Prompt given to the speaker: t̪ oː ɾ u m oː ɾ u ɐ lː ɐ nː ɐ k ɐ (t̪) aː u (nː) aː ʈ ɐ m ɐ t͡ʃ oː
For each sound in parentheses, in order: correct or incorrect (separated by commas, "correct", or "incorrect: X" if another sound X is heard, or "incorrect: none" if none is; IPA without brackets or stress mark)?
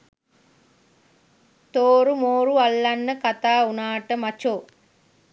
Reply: correct, incorrect: n